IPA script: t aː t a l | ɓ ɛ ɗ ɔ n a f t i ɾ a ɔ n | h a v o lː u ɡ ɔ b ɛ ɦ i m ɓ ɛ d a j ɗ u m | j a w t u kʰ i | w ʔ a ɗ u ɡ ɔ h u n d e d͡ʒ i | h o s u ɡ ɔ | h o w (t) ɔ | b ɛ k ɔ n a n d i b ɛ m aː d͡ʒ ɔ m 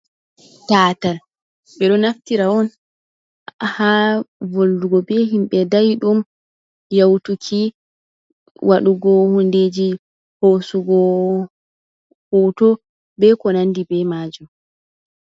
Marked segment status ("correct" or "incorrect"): correct